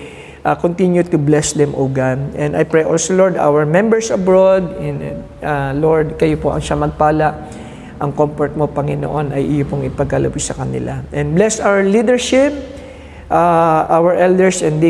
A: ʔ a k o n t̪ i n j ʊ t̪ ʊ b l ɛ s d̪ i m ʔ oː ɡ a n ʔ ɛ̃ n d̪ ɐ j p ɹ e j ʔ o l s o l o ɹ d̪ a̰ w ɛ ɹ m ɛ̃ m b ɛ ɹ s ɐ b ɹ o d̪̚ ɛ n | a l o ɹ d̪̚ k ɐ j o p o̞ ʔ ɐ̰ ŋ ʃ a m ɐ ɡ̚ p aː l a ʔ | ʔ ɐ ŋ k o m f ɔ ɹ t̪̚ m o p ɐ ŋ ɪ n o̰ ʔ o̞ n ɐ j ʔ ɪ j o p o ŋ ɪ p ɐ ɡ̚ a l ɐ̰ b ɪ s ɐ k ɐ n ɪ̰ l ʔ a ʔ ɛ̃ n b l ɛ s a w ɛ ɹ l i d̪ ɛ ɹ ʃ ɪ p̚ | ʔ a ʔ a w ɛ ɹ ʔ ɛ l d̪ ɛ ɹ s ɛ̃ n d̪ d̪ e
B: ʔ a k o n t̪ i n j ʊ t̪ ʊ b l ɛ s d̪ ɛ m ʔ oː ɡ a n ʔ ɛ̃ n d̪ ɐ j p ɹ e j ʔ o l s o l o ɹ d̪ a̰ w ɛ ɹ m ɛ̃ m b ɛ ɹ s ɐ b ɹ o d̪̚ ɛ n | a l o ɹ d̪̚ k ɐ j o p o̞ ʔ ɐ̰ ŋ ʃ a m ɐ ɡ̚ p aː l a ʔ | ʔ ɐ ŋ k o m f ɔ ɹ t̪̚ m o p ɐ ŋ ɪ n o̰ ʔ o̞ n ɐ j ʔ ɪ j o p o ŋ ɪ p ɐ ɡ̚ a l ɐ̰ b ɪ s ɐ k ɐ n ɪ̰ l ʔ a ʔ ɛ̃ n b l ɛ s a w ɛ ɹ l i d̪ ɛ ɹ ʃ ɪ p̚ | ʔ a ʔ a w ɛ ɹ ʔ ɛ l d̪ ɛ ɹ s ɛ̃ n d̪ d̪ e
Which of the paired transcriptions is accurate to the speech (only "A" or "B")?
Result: B